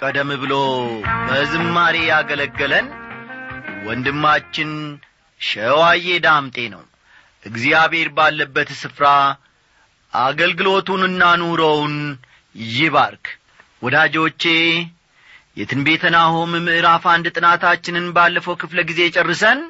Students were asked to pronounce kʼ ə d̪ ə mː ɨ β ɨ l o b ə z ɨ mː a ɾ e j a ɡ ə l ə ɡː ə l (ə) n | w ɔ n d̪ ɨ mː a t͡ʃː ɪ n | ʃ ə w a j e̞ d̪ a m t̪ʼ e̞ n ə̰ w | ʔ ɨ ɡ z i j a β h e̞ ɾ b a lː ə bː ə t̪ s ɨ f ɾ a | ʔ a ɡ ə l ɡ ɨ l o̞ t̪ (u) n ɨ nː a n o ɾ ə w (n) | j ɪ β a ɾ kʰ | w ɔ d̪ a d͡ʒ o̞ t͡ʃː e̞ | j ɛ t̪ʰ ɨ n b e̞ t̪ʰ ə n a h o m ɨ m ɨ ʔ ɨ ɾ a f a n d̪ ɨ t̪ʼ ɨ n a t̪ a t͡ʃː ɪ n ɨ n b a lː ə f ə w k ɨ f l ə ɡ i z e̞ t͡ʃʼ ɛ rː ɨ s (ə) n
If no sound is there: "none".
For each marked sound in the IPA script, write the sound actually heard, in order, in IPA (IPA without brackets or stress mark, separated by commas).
ə, u, n, ə